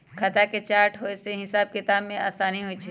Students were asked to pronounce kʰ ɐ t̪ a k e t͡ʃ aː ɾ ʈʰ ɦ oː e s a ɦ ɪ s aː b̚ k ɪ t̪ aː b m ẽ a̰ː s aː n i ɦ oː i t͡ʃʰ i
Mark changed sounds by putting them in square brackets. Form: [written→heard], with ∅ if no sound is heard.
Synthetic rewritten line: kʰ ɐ t̪ a k e t͡ʃ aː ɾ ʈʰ ɦ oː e s [a→e] ɦ ɪ s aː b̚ k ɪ t̪ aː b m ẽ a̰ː s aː n i ɦ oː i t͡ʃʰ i